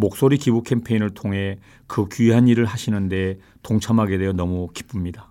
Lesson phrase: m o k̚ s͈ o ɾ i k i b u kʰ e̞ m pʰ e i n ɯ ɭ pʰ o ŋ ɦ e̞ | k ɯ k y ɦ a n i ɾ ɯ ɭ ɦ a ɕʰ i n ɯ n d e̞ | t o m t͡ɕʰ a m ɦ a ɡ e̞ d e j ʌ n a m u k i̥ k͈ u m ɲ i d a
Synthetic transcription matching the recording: m o k̚ s͈ o ɾ i k i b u kʰ e̞ m pʰ e i n ɯ ɭ tʰ o ŋ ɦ e̞ | k ɯ k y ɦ a n i ɾ ɯ ɭ ɦ a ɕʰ i n ɯ n d e̞ | t o ŋ t͡ɕʰ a m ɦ a ɡ e̞ d e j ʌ n ʌ m u k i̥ p͈ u m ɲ i d a